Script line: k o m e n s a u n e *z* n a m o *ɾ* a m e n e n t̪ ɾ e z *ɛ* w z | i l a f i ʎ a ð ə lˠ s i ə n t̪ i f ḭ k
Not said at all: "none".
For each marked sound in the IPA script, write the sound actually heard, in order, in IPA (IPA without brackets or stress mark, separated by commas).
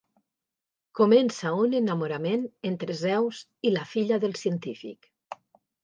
none, ɾ, ɛ